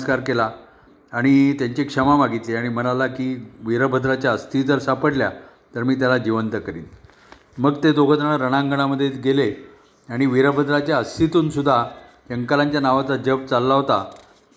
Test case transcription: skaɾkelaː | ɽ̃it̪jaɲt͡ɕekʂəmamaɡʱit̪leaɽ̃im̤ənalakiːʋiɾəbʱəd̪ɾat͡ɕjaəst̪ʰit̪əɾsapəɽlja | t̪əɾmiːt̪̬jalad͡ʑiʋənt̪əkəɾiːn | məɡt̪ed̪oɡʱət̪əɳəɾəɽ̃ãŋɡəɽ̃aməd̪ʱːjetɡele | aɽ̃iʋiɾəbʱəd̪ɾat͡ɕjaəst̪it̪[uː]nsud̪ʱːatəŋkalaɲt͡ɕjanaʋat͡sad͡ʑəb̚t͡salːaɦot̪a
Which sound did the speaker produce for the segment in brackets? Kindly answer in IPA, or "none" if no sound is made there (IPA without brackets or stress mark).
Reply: uː